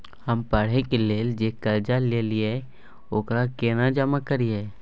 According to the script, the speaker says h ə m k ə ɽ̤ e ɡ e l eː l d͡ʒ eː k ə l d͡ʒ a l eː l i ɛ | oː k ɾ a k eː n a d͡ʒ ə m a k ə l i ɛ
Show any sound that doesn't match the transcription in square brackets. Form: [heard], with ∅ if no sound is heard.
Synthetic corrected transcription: h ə m [p] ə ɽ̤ e [k] e l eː l d͡ʒ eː k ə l d͡ʒ a l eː l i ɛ | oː k ɾ a k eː n a d͡ʒ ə m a k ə [ɾ] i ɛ